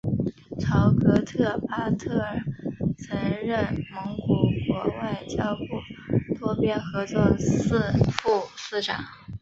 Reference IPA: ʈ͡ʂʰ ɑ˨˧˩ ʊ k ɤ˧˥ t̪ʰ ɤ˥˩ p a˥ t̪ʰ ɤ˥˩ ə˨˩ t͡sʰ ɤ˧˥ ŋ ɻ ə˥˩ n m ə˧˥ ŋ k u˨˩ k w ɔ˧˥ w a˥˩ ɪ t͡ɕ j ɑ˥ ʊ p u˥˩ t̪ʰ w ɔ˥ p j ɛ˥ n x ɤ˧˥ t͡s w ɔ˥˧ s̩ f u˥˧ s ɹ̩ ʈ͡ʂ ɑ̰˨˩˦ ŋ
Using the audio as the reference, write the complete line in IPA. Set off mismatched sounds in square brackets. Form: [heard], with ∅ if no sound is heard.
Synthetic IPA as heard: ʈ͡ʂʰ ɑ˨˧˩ ʊ k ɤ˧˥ t̪ʰ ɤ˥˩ p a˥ t̪ʰ ɤ˥˩ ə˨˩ t͡sʰ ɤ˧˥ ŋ ɻ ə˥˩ n m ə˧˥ ŋ k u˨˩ k w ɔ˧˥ w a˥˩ ɪ t͡ɕ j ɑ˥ ʊ p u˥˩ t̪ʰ w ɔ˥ p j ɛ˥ n x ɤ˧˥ t͡s w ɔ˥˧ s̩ f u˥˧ s ɹ̩ ʈ͡ʂ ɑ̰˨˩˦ ŋ

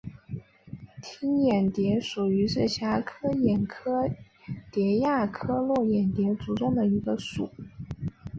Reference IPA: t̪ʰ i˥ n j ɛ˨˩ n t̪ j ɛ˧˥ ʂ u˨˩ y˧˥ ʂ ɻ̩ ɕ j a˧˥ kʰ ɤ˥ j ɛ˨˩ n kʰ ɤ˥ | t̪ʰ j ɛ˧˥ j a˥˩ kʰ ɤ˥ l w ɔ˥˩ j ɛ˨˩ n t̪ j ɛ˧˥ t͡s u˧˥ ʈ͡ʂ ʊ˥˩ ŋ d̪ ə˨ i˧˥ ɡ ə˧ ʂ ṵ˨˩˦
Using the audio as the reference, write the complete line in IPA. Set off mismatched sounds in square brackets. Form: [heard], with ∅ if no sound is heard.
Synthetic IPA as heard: t̪ʰ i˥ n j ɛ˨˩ n t̪ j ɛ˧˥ ʂ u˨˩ y˧˥ ʂ ɻ̩ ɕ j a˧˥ kʰ ɤ˥ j ɛ˨˩ n kʰ ɤ˥ | [t̪] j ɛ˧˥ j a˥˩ kʰ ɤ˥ l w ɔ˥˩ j ɛ˨˩ n t̪ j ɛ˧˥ t͡s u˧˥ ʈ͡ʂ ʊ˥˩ ŋ d̪ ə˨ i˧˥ ɡ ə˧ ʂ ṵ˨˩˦

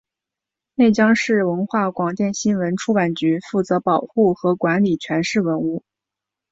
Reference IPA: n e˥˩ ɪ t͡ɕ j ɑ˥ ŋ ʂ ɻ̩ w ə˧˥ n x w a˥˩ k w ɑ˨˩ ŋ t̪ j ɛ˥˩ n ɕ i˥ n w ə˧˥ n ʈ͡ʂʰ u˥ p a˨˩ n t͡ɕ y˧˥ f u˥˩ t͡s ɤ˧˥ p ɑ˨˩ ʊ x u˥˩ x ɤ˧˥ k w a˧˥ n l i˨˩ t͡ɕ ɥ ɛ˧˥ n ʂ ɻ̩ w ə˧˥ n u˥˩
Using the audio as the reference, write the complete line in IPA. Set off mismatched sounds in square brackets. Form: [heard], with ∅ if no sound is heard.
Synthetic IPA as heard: n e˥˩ ɪ t͡ɕ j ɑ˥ ŋ ʂ ɻ̩ w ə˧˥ n x w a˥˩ k w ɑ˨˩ ŋ t̪ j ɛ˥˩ n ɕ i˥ n w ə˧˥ n ʈ͡ʂʰ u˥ p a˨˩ n t͡ɕ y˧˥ f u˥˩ t͡s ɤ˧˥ p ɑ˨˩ ʊ x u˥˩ x ɤ˧˥ k w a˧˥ n l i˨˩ [t͡ɕʰ] ɥ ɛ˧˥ n ʂ ɻ̩ w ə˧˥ n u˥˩

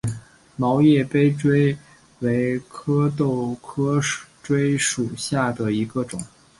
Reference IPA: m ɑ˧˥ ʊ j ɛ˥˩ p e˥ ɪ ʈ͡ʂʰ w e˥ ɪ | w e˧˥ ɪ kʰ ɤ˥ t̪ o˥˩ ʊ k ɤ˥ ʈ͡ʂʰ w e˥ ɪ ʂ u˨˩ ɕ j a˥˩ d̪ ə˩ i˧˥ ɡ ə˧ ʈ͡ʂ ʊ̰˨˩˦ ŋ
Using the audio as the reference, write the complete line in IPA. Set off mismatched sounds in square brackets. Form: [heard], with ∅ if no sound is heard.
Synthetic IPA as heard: m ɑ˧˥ ʊ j ɛ˥˩ p e˥ ɪ [ʈ͡ʂ] w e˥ ɪ | w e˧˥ ɪ kʰ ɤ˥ t̪ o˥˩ ʊ [kʰ] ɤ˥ [ʈ͡ʂ] w e˥ ɪ ʂ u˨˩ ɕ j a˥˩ d̪ ə˩ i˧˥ ɡ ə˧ ʈ͡ʂ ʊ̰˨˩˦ ŋ

